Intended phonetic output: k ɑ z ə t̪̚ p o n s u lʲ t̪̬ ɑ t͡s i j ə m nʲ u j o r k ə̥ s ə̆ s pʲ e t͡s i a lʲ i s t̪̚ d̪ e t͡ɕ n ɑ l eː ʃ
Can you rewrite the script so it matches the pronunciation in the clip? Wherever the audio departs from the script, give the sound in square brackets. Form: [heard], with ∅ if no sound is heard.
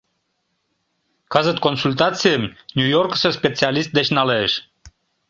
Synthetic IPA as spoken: k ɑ z ə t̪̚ [k] o n s u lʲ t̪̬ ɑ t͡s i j ə m nʲ u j o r k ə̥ s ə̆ s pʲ e t͡s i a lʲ i s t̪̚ d̪ e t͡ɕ n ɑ l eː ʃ